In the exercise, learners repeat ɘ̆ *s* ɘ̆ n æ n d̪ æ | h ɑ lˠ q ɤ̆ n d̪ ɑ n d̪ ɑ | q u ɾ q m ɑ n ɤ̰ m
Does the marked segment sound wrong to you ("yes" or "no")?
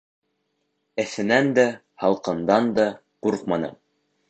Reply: yes